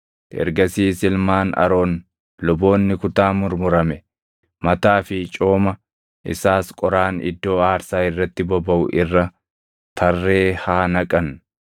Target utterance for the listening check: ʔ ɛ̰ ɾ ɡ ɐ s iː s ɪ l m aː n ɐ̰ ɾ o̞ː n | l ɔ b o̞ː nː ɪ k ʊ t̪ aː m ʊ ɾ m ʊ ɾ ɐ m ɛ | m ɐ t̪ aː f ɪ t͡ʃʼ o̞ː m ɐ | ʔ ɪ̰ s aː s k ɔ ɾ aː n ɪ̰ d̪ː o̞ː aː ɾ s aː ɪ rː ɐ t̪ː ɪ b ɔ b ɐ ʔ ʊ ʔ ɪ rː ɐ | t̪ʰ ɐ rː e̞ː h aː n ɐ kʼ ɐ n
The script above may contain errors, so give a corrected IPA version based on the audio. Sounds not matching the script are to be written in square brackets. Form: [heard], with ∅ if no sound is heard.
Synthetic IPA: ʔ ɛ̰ ɾ ɡ ɐ s iː s ɪ l m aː n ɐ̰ ɾ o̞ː n | l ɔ b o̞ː nː ɪ k ʊ t̪ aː m ʊ ɾ m ʊ ɾ ɐ m ɛ | m ɐ t̪ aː f ɪ t͡ʃʼ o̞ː m ɐ | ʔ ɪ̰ s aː s [kʼ] ɔ ɾ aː n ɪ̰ d̪ː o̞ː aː ɾ s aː ɪ rː ɐ t̪ː ɪ b ɔ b ɐ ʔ ʊ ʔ ɪ rː ɐ | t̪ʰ ɐ rː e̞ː h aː n ɐ kʼ ɐ n